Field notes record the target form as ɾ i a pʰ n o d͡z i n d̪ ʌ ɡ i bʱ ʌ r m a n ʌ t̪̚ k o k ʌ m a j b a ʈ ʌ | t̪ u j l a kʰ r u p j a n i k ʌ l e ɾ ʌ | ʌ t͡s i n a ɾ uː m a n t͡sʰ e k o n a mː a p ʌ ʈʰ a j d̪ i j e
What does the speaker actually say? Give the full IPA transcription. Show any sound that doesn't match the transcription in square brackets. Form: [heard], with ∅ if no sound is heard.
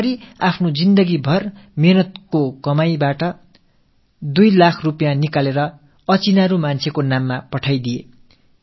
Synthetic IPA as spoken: ɾ i a pʰ n o d͡z i n d̪ ʌ ɡ i bʱ ʌ r m [e] n ʌ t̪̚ k o k ʌ m a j b a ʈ ʌ | [d̪] u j l a kʰ r u p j a n i k [a] l e ɾ ʌ | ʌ t͡s i n a ɾ [u] m a n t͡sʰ e k o n a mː a p ʌ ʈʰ a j d̪ i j e